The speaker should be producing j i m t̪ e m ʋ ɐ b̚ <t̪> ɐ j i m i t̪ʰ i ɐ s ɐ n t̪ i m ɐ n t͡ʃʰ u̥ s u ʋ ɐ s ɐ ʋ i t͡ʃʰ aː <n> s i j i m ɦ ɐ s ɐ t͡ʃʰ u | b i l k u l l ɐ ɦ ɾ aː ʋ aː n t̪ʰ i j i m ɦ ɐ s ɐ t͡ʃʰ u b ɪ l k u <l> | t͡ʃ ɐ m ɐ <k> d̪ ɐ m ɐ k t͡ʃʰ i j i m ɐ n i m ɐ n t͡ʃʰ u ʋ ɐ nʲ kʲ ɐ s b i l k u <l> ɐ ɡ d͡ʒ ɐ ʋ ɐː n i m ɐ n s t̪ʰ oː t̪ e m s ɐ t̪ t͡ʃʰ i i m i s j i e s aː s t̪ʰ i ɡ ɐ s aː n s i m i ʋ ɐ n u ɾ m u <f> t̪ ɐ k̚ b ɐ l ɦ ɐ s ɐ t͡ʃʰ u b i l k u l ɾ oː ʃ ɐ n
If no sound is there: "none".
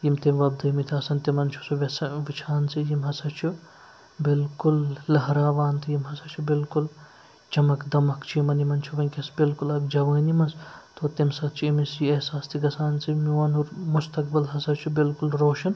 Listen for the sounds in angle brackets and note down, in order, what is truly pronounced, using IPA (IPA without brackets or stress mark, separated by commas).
d̪, n, l, k, l, s